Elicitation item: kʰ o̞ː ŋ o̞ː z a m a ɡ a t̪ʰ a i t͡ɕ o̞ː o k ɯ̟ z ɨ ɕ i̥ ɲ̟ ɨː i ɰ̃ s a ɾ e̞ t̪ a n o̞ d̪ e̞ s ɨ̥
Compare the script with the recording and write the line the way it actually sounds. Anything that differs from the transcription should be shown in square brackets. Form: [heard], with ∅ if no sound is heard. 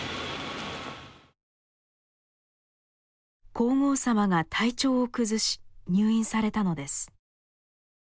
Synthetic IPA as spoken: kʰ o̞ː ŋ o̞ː [s] a m a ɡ a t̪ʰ a i t͡ɕ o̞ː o k ɯ̟ z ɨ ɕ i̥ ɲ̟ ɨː [ĩ] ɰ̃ s a ɾ e̞ t̪ a n o̞ d̪ e̞ s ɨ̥